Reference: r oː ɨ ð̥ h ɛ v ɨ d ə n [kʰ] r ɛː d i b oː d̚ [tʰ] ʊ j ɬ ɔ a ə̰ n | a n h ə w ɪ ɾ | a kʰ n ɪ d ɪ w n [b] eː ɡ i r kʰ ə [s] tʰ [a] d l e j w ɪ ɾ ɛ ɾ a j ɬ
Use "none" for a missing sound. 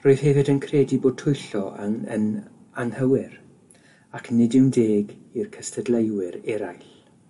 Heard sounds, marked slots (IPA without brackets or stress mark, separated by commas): kʰ, tʰ, d, s, ə